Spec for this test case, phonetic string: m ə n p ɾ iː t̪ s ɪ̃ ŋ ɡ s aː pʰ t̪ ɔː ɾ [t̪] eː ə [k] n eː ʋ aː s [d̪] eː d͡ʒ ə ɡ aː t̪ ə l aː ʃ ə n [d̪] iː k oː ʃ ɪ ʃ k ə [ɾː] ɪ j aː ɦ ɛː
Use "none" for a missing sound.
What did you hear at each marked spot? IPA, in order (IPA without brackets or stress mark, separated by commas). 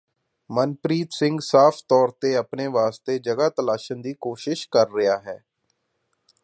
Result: t̪, p, t̪, d̪, ɾː